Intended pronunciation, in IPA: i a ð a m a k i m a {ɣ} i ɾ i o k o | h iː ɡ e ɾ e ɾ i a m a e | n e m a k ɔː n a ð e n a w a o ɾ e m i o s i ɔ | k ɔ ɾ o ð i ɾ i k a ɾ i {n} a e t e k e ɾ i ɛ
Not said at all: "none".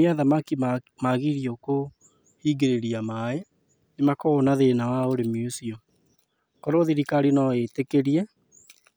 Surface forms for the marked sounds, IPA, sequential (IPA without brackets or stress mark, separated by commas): ɣ, n